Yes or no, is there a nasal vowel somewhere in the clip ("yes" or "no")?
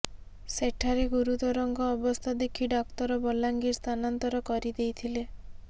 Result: no